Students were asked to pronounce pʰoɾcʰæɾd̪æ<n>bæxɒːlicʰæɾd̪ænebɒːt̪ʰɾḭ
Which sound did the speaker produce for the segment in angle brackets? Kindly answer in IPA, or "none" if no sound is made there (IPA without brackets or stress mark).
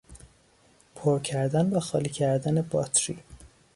n